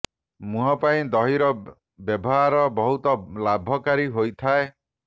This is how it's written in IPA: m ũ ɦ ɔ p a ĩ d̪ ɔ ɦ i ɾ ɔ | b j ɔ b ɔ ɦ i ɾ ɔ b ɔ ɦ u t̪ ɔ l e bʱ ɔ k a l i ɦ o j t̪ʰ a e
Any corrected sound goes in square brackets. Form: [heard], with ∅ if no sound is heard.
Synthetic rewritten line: m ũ ɦ ɔ p a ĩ d̪ ɔ ɦ i ɾ ɔ | b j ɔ b ɔ ɦ [a] ɾ ɔ b ɔ ɦ u t̪ ɔ l [a] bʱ ɔ k a [ɾ] i ɦ o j t̪ʰ a e